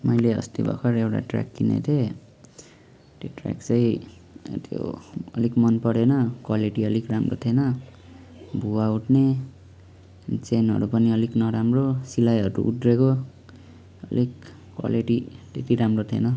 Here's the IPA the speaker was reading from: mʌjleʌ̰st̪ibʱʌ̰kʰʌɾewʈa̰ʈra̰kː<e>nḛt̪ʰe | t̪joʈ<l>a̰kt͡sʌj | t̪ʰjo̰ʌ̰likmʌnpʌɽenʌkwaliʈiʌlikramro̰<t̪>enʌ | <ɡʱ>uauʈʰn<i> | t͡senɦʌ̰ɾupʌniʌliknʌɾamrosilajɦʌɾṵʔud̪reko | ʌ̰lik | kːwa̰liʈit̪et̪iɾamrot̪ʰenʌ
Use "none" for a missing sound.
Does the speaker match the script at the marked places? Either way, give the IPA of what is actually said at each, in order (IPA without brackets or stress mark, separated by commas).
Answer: i, r, t̪ʰ, bʱ, e